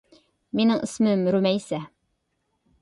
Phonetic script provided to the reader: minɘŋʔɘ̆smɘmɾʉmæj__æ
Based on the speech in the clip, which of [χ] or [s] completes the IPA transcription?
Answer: s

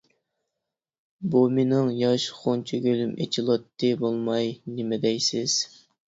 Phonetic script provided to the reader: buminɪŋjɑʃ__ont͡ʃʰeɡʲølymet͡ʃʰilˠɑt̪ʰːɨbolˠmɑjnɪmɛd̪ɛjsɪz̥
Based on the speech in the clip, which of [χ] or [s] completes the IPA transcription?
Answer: χ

